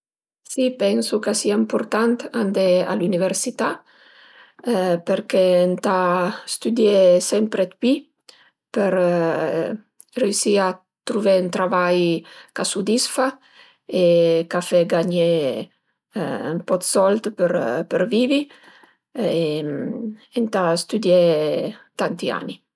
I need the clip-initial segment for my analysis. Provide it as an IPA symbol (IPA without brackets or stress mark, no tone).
s